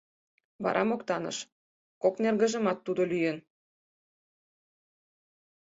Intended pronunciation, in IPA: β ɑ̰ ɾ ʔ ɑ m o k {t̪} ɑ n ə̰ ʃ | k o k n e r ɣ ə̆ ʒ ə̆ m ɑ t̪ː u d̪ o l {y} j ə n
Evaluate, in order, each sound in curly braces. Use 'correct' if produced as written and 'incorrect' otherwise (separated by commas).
correct, correct